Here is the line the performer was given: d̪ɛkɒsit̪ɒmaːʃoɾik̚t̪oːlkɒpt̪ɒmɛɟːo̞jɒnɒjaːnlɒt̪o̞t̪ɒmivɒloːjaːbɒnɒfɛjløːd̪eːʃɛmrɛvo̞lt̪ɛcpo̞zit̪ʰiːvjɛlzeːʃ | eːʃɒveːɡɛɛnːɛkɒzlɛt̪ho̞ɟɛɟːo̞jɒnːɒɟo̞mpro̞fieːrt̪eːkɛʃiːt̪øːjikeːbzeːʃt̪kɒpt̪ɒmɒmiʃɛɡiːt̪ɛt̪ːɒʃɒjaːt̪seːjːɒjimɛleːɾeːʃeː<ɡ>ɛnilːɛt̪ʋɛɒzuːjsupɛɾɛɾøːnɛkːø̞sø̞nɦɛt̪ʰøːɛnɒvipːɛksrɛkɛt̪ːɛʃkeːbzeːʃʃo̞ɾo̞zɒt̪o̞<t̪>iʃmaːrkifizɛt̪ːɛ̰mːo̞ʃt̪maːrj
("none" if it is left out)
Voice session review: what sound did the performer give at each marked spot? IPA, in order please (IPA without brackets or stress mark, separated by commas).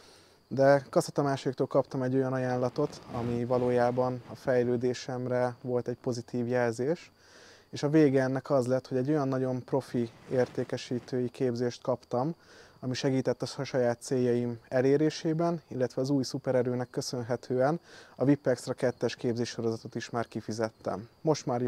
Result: b, t̪